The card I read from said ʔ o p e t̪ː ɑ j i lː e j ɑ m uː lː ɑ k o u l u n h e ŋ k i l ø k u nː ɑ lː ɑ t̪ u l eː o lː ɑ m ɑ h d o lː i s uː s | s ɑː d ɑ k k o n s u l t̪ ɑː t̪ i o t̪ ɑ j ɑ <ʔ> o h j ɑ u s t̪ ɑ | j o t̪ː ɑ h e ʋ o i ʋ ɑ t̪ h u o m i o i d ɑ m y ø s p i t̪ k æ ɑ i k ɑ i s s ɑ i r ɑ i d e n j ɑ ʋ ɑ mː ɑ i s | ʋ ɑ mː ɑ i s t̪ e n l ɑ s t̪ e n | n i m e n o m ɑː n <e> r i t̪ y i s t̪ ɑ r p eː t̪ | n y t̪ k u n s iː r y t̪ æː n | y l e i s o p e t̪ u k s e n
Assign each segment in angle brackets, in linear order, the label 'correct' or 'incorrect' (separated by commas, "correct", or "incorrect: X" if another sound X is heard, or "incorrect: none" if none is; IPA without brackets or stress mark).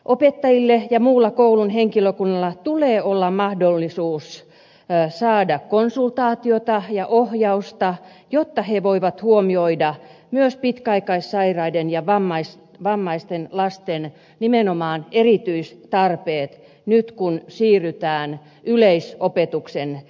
correct, correct